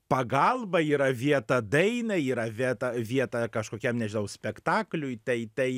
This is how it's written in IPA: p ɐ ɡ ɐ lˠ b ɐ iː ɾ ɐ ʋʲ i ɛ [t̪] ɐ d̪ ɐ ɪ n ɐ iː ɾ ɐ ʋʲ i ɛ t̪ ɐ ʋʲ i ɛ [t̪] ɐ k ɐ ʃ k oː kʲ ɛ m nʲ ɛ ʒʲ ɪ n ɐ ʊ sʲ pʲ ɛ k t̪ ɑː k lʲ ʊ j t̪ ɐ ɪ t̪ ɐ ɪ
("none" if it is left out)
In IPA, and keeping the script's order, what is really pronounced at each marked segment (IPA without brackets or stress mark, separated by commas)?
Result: t̪, t̪